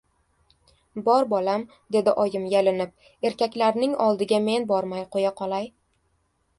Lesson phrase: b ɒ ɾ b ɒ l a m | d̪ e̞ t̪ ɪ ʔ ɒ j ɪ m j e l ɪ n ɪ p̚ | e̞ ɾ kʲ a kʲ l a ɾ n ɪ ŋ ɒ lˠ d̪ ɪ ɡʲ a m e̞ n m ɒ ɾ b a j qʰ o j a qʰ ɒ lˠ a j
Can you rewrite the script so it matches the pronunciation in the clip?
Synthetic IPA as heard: b ɒ ɾ b ɒ l a m | d̪ e̞ d̪ ɪ ʔ ɒ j ɪ m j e l ɪ n ɪ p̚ | e̞ ɾ kʲ a kʲ l a ɾ n ɪ ŋ ɒ lˠ d̪ ɪ ɡʲ a m e̞ n b ɒ ɾ m a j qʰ o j a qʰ ɒ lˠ a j